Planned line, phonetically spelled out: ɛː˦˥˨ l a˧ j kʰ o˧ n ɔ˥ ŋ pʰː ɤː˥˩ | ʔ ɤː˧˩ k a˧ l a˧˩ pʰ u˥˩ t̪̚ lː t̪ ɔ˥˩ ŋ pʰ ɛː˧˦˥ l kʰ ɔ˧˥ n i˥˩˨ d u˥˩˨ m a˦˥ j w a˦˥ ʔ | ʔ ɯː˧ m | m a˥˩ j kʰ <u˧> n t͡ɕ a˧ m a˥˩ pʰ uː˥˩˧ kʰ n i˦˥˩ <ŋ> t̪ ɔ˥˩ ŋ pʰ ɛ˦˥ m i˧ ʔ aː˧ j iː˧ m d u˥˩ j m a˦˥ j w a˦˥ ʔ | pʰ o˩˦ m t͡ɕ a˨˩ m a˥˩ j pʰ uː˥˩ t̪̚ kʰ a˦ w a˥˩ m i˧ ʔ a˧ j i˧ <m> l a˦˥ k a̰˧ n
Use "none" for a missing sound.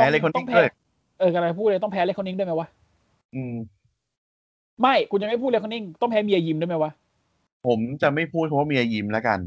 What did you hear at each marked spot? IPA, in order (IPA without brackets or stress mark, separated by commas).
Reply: u˧, ŋ, m